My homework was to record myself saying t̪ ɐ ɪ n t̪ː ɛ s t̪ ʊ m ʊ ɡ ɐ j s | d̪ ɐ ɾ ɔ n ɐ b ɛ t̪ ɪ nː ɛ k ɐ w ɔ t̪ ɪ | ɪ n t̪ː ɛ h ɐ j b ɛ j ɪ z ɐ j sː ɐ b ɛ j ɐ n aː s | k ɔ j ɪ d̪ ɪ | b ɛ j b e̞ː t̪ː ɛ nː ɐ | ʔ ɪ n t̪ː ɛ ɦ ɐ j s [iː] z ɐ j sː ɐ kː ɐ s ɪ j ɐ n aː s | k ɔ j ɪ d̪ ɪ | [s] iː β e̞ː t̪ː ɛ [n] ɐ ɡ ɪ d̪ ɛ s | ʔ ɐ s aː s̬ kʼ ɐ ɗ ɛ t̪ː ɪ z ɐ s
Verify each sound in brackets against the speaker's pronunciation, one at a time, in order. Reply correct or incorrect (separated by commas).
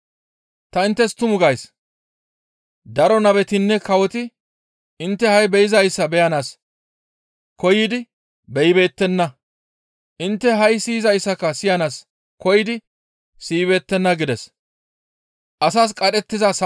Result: correct, correct, incorrect